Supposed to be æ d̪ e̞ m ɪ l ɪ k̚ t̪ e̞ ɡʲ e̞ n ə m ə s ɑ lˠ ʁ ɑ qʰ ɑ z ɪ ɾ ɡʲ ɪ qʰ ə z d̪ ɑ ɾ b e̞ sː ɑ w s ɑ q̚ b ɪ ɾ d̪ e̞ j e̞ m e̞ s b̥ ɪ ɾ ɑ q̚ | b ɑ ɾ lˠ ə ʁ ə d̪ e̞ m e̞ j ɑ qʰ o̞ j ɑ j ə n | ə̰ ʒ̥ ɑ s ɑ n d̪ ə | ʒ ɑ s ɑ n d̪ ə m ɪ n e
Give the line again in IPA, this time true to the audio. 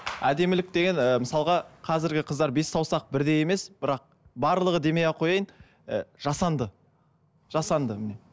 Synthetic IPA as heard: æ d̪ e̞ m ɪ l ɪ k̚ t̪ e̞ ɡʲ e̞ n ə m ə s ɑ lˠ ʁ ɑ qʰ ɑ z ɪ ɾ ɡʲ ɪ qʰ ə z d̪ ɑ ɾ b e̞ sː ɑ w s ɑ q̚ b ɪ ɾ d̪ e̞ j e̞ m e̞ s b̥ ɪ ɾ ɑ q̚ | b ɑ ɾ lˠ ə ʁ ə d̪ e̞ m e̞ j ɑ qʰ o̞ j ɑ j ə n | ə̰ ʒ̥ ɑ s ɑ n d̪ ə | ʒ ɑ s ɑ n d̪ ə m ɪ n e